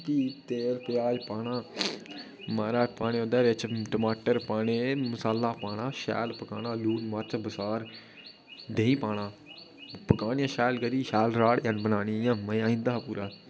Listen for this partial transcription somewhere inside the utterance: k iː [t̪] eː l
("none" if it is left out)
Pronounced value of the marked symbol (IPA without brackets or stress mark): t̪